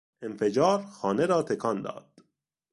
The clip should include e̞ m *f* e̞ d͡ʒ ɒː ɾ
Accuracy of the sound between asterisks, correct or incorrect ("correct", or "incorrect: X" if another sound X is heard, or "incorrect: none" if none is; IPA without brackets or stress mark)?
correct